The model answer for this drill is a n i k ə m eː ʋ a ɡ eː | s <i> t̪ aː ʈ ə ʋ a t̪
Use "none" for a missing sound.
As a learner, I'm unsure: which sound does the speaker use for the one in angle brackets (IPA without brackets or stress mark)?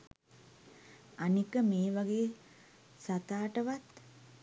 a